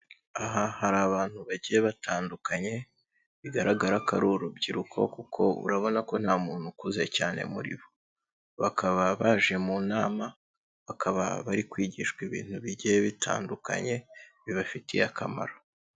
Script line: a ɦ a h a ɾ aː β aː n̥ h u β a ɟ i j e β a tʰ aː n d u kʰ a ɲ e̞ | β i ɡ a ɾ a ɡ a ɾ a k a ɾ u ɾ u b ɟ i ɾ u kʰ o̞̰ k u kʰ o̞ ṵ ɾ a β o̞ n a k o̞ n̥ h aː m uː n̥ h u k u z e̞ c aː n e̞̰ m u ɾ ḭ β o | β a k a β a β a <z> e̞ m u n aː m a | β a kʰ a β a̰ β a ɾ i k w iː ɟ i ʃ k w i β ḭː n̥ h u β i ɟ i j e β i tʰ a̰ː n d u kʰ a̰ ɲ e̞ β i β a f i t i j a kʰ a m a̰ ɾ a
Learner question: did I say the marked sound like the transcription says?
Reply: no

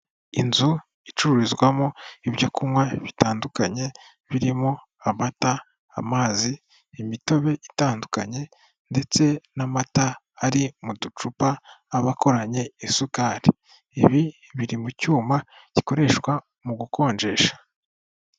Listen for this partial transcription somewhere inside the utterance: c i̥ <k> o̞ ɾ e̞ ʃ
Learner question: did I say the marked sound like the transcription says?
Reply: yes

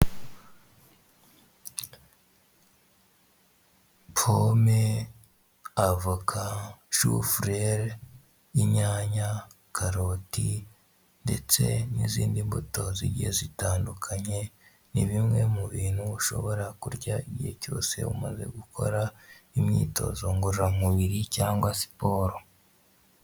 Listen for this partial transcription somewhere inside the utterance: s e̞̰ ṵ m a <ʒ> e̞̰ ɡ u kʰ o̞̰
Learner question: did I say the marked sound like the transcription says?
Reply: no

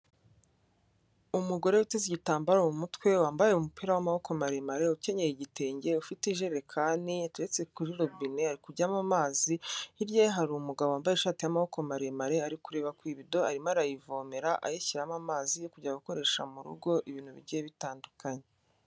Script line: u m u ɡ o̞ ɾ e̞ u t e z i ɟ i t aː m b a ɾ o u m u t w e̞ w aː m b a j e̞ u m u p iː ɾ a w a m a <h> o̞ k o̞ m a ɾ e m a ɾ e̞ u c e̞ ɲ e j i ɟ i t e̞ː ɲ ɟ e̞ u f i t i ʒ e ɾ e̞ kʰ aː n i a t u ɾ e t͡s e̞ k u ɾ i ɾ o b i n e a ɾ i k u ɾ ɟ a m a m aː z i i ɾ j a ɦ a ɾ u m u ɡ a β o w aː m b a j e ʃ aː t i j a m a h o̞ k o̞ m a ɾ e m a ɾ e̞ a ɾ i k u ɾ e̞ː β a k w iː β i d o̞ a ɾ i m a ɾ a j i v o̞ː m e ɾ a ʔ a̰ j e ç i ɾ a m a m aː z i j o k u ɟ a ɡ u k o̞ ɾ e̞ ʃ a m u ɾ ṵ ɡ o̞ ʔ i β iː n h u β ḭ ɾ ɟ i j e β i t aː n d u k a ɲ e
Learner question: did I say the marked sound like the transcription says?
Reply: yes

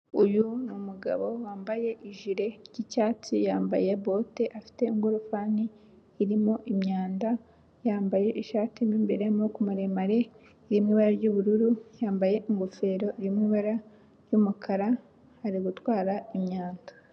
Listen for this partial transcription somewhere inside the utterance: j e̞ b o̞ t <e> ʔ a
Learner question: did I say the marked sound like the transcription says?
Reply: yes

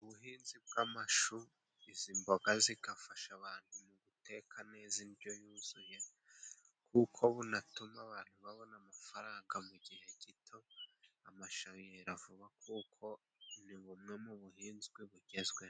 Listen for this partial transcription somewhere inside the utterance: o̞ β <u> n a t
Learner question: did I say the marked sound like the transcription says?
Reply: yes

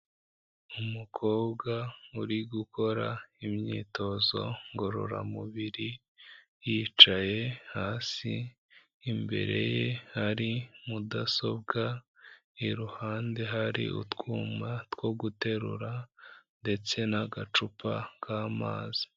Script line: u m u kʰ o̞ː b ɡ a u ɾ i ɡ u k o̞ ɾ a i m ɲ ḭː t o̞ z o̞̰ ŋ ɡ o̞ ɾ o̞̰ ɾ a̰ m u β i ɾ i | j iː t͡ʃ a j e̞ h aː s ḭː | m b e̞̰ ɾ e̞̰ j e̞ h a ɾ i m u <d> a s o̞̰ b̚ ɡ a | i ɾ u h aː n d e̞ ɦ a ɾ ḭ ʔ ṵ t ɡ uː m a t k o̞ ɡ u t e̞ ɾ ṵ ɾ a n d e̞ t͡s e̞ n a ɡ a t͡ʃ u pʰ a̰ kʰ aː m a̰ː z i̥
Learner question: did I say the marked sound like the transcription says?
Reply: yes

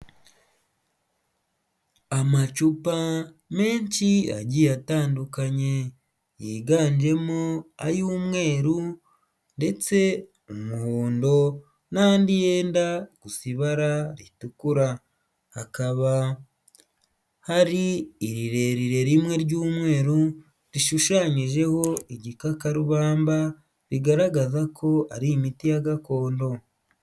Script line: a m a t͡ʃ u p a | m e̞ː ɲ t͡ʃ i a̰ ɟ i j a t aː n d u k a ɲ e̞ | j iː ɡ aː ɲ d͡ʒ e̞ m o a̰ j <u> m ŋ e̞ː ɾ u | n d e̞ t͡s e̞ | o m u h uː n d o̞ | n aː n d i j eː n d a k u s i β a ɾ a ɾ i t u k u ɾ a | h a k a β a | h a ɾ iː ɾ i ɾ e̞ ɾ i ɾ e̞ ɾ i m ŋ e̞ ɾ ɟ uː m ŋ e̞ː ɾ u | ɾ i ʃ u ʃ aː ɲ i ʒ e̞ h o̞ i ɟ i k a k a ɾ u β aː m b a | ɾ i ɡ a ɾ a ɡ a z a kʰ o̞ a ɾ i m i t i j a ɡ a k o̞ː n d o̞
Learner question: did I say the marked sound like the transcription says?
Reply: no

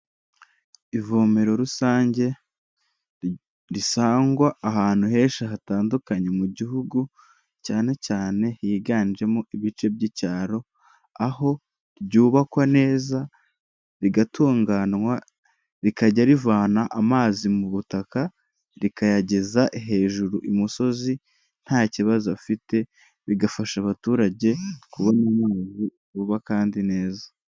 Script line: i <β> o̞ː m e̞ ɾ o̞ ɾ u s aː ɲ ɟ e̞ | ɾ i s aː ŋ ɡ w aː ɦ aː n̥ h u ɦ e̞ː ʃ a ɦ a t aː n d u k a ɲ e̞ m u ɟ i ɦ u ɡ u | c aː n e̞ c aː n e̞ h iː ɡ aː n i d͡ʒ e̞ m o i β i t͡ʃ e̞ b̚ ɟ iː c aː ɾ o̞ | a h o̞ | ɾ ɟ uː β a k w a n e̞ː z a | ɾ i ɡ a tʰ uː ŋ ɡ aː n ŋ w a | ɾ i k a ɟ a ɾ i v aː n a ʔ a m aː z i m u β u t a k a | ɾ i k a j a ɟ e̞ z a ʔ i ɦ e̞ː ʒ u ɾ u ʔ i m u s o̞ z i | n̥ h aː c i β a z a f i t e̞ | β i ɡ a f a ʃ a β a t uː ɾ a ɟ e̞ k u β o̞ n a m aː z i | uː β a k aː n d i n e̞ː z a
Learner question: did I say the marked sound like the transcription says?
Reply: no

